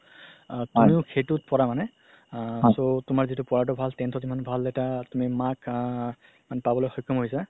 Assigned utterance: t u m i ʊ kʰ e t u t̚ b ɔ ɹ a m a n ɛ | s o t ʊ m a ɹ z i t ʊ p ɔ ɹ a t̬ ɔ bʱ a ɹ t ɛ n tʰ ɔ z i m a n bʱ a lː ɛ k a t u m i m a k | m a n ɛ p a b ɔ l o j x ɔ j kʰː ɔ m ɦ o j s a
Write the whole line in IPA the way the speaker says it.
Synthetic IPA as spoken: t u m i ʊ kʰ e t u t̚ p ɔ ɹ a m a n ɛ | s o t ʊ m a ɹ z i t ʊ p ɔ ɹ a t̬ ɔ bʱ a l t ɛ n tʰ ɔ z i m a n bʱ a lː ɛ t a t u m i m a k | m a n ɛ p a b ɔ l o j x ɔ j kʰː ɔ m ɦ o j s a